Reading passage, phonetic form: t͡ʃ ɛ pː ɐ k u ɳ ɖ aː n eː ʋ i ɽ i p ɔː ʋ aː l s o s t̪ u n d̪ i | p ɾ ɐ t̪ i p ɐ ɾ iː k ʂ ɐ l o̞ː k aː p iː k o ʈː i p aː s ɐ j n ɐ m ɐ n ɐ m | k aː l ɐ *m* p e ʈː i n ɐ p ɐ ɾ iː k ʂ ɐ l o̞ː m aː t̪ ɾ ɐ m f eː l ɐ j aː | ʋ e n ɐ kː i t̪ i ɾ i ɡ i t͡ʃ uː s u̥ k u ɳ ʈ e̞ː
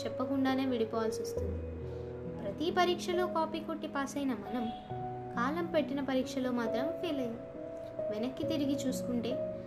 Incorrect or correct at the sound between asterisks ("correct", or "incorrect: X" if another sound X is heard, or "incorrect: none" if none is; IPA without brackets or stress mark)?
correct